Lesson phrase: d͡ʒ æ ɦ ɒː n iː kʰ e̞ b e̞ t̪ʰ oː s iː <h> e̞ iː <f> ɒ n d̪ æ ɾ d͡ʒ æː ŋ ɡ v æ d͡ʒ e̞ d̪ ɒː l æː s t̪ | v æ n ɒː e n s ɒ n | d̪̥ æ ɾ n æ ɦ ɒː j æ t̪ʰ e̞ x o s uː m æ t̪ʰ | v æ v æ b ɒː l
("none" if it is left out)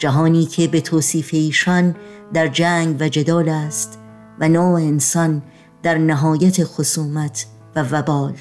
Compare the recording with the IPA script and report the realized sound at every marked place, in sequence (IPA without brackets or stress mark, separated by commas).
f, ʃ